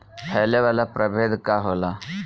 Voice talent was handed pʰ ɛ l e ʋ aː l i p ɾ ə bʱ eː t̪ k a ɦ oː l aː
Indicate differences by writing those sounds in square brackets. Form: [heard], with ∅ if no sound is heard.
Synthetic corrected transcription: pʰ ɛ l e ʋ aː l [a] p ɾ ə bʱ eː [d̪] k a ɦ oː l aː